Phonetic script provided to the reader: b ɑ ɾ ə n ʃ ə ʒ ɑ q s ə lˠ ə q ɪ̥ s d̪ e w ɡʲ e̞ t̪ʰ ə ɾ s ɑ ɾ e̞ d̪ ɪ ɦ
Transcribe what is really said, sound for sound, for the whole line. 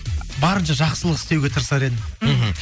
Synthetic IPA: b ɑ ɾ ə n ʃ ɑ ʒ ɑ q s ə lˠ ə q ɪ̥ s t̪ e w ɡʲ e̞ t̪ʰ ə ɾ s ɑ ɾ e̞ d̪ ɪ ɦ

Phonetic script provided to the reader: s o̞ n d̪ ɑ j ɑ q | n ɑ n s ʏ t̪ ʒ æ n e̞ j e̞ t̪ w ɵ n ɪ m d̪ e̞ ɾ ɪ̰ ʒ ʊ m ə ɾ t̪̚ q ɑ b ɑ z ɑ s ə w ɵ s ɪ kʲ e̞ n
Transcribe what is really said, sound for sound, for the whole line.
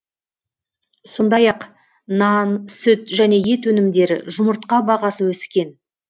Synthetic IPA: s o̞ n d̪ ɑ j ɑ q | n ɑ n s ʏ t̪ ʒ æ n e̞ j e̞ t̪ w ɵ n ɪ m d̪ e̞ ɾ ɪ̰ ʒ ʊ m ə ɾ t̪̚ q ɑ b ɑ ʁ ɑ s ə w ɵ s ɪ kʲ e̞ n

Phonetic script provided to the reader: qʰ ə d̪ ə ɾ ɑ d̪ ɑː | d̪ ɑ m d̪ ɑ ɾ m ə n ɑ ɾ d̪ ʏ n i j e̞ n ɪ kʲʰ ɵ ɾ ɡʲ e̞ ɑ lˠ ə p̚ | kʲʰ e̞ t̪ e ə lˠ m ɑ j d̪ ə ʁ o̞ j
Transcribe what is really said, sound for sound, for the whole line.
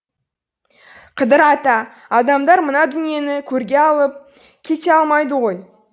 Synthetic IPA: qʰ ə d̪ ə ɾ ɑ t̪ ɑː | d̪ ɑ m d̪ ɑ ɾ m ə n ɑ d̪ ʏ n i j e̞ n ɪ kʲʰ ɵ ɾ ɡʲ e̞ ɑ lˠ ə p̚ | kʲʰ e̞ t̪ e ɑ lˠ m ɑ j d̪ ə ʁ o̞ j

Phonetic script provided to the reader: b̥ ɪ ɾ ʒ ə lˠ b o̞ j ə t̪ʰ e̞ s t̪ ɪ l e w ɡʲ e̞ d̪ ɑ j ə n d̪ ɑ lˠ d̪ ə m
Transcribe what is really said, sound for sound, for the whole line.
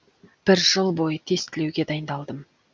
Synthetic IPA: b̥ ɪ ɾ ʒ ə lˠ b o̞ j ə t̪ʰ e̞ s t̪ ɪ l e w ɡʲ e̞ d̪ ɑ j ə n d̪ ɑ lˠ d̪ ə m

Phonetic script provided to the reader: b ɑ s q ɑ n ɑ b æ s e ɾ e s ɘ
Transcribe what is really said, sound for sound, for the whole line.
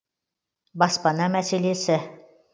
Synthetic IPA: b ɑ s p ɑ n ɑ m æ s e l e s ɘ

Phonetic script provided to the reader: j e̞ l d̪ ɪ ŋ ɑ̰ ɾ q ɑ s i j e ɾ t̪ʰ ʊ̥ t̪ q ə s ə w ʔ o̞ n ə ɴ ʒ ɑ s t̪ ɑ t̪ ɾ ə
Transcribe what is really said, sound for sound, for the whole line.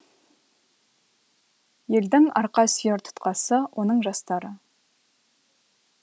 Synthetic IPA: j e̞ l d̪ ɪ ŋ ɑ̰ ɾ q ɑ s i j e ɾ t̪ʰ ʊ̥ t̪ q ɑ s ə w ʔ o̞ n ə ɴ ʒ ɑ s t̪ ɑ ɾ ə

